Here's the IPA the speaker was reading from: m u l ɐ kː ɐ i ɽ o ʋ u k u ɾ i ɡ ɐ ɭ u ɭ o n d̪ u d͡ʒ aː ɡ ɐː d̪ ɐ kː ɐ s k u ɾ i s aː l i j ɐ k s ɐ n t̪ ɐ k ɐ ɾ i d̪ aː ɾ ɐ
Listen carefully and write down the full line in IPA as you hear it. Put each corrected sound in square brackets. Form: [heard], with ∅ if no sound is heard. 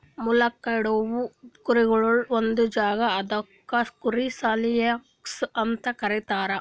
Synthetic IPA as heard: m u l ɐ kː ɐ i ɽ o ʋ u k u ɾ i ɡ ɐ ɭ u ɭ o n d̪ u d͡ʒ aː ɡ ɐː d̪ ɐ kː ɐ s k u ɾ i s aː l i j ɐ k s ɐ n t̪ ɐ k ɐ ɾ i [t̪] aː ɾ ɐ